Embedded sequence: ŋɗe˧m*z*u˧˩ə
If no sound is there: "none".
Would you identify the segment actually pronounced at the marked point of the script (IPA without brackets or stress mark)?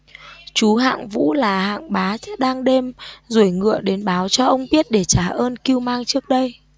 z